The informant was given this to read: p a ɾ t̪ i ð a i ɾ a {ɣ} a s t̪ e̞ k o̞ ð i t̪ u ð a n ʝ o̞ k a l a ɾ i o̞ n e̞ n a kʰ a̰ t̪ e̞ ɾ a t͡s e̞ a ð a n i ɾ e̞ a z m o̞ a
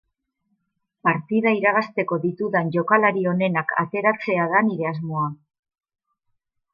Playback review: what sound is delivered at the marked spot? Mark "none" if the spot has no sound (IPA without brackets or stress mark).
ɣ